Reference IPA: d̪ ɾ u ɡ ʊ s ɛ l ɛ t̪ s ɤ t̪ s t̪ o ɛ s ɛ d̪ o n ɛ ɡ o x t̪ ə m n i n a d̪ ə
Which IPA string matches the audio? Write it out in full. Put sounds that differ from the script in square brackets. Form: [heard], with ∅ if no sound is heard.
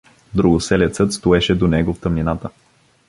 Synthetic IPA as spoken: d̪ ɾ u ɡ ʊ s ɛ l ɛ t̪ s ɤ t̪ s t̪ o ɛ [ʃ] ɛ d̪ o n ɛ ɡ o [f] t̪ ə m n i n a [t̪] ə

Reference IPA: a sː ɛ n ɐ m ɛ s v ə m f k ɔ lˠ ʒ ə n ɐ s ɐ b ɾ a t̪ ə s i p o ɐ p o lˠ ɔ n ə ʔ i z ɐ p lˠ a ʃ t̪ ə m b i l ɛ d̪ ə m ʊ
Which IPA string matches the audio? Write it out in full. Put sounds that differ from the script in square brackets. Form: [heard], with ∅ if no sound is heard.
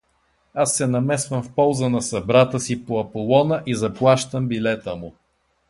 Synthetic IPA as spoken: a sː ɛ n ɐ m ɛ s v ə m f [p] ɔ lˠ [z] ə n ɐ s ɐ b ɾ a t̪ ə s i p o ɐ p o lˠ ɔ n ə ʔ i z ɐ p lˠ a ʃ t̪ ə m b i l ɛ [t̪] ə m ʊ

